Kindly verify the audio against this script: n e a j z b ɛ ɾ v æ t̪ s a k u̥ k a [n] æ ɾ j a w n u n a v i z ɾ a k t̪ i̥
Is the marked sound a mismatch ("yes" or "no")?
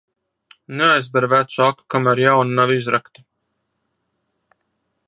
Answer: yes